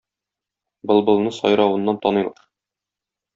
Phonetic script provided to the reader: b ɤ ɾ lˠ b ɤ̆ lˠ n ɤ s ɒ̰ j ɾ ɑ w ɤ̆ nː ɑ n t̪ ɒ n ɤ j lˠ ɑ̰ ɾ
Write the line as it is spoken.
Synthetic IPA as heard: b ɤ lˠ b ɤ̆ lˠ n ɤ s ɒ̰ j ɾ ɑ w ɤ̆ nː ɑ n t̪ ɒ n ɤ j lˠ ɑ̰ ɾ